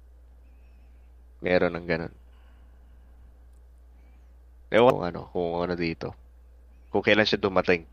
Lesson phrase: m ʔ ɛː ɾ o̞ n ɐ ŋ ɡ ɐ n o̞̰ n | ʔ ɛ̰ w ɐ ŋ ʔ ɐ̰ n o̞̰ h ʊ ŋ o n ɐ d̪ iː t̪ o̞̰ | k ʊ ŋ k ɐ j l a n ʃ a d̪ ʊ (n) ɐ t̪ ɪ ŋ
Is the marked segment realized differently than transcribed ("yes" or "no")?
yes